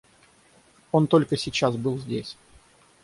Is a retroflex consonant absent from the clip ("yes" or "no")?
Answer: yes